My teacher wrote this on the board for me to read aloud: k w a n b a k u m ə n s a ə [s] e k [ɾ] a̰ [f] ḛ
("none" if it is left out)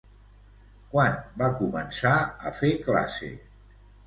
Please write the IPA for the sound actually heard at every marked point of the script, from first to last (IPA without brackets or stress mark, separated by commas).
f, l, s